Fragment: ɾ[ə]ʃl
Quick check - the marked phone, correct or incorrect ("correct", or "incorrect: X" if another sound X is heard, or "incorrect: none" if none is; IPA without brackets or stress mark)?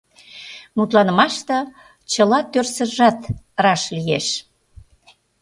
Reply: incorrect: ɑ